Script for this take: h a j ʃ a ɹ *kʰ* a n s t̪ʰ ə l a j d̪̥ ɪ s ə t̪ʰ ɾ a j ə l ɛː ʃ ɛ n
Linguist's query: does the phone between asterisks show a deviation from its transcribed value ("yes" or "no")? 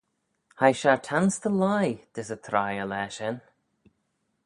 yes